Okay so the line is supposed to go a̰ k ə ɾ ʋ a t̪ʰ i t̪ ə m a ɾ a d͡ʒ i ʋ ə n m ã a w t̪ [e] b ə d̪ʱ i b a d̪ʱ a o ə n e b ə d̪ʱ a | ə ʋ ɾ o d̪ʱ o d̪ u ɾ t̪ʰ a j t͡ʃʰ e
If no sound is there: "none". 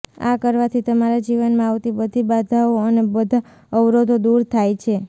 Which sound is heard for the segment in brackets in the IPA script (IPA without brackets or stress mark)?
i